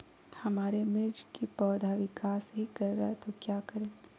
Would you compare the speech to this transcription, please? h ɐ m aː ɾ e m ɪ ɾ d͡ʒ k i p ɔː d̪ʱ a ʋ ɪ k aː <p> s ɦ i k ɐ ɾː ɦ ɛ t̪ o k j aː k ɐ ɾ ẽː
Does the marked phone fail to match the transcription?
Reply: yes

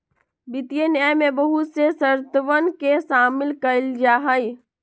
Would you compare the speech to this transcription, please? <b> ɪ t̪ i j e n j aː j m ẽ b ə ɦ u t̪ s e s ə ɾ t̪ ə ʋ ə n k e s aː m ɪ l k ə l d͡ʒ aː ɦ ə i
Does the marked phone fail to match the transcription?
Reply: no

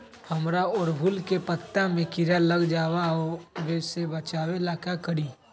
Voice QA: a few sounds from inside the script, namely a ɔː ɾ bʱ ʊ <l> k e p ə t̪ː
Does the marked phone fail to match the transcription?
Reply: no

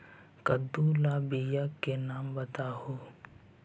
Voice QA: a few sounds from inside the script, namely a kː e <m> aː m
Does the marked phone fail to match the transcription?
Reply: yes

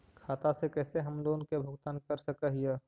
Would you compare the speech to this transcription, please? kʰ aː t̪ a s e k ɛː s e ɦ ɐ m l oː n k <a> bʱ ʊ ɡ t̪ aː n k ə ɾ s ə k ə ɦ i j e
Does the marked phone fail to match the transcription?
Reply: yes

